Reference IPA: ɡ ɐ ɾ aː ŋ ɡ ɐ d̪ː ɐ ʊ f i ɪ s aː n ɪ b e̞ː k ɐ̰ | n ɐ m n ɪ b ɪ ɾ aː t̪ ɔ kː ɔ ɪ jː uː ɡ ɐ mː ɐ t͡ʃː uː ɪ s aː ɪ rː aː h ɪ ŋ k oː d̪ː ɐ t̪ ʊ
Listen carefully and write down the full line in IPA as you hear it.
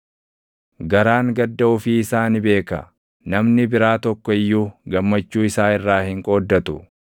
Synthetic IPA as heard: ɡ ɐ ɾ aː ŋ ɡ ɐ d̪ː ɐ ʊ f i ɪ s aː n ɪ b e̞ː k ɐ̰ | n ɐ m n ɪ b ɪ ɾ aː t̪ ɔ kː ɔ ɪ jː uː ɡ ɐ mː ɐ t͡ʃː uː ɪ s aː ɪ rː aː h ɪ ŋ kʼ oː d̪ː ɐ t̪ ʊ